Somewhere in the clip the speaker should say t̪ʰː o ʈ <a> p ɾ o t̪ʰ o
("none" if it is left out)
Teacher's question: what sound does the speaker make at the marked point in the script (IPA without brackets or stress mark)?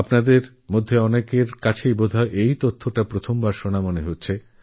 a